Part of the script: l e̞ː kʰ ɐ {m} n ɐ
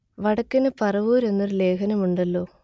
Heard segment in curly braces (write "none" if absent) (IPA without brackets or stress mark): none